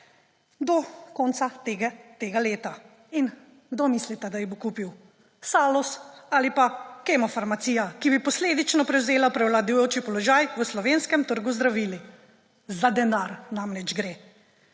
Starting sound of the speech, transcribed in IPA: d̪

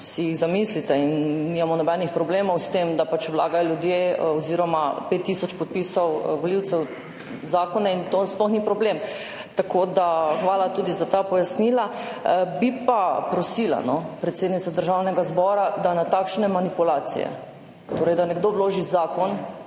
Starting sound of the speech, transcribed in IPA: s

